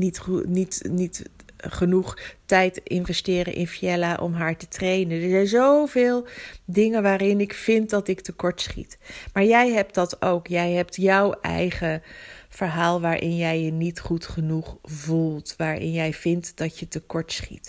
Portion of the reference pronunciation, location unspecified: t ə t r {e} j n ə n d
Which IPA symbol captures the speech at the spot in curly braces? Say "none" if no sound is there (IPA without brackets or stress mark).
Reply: e